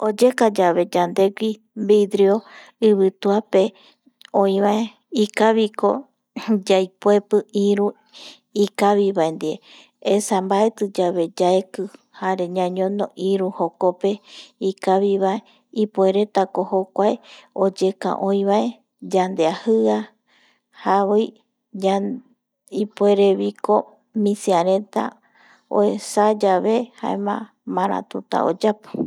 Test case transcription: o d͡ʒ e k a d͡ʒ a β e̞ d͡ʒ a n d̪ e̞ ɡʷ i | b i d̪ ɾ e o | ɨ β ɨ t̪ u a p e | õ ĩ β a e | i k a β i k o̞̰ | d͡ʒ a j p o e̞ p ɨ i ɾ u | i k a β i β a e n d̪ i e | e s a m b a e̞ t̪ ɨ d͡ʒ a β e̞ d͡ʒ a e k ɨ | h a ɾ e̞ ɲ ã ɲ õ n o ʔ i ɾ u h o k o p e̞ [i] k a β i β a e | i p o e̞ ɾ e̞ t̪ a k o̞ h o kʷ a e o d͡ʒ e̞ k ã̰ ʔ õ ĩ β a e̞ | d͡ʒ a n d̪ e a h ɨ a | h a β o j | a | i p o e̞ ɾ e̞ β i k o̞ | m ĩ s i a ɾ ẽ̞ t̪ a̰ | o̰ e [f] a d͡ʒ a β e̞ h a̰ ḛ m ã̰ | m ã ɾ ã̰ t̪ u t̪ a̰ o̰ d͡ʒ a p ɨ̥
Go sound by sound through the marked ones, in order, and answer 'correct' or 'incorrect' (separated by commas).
correct, incorrect